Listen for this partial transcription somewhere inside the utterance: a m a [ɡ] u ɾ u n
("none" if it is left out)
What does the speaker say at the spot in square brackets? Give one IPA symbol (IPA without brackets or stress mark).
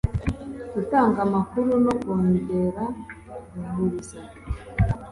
k